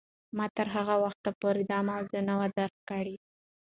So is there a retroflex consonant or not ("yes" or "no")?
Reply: yes